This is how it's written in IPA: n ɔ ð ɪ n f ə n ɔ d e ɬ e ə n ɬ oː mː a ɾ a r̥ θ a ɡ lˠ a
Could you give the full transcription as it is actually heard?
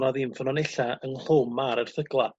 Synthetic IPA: n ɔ ð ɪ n f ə n ɔ n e ɬ a ə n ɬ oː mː a ɾ ə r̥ θ ə ɡ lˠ a

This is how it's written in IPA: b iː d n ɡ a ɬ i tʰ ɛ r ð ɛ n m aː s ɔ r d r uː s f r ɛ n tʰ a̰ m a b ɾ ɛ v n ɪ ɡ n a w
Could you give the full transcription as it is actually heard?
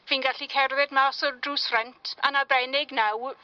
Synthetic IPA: v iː n ɡ a ɬ i kʰ ɛ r ð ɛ d m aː s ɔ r d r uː s f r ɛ n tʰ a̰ n a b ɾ ɛ n ɪ ɡ n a w

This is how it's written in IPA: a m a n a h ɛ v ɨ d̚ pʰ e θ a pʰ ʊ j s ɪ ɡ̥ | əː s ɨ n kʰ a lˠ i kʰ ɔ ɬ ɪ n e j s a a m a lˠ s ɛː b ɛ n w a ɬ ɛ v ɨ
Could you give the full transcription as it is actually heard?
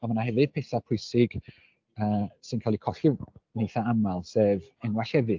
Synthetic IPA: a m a n a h ɛ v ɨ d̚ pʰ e θ a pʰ ʊ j s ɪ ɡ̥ | əː s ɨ n kʰ a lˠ i kʰ ɔ ɬ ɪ n e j θ a a m a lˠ s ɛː v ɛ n w a ɬ ɛ v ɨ

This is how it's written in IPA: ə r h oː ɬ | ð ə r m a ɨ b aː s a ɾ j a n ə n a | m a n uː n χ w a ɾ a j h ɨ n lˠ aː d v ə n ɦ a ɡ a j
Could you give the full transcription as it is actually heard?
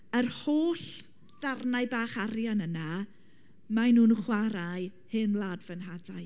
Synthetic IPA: ə r h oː ɬ | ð a r n a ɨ b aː χ a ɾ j a n ə n a | m a n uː n χ w a ɾ a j h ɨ n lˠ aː d v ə n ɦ a d a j

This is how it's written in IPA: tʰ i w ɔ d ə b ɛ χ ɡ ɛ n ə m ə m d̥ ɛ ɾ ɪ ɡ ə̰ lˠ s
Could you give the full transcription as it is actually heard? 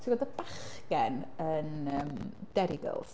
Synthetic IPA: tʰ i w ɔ d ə b a χ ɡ ɛ n ə n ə m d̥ ɛ ɾ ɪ ɡ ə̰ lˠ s

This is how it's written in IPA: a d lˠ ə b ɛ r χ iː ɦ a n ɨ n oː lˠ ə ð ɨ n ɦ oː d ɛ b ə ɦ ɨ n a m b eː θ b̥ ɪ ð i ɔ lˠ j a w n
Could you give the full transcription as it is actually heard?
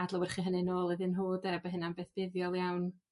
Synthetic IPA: a d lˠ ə w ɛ r χ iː ɦ ə n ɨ n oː lˠ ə ð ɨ n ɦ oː d ɛ b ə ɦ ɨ n a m b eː θ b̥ ɪ ð j ɔ lˠ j a w n

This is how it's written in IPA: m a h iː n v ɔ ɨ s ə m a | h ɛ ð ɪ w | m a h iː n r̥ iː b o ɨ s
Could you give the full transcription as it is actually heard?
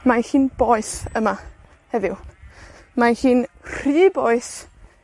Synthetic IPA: m a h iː n b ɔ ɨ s ə m a | h ɛ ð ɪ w | m a h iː n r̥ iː b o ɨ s

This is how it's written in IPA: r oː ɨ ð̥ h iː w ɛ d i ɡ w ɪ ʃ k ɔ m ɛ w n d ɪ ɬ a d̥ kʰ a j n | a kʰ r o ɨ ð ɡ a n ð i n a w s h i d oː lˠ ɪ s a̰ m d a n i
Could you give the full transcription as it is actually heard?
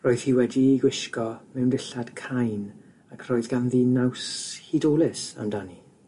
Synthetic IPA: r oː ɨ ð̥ h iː w ɛ d i ɡ w ɪ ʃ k ɔ m ɛ w n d ɪ ɬ a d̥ kʰ a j n | a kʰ r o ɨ ð ɡ a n ð i n a w s h i d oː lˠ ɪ s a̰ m d a n i

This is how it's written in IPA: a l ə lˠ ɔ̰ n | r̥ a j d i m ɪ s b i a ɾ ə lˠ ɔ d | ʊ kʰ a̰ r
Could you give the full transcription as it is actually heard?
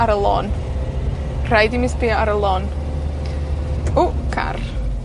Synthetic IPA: a ɾ ə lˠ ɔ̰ n | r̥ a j d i m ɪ s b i a ɾ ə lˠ ɔ n | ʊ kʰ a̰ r

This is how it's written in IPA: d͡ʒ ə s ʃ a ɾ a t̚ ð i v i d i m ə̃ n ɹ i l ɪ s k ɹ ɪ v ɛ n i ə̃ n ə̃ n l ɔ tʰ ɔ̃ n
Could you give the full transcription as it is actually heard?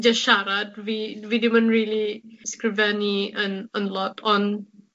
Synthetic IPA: d͡ʒ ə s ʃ a ɾ a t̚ v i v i d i m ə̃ n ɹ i l i s k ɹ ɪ v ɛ n i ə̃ n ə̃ n l ɔ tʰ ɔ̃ n

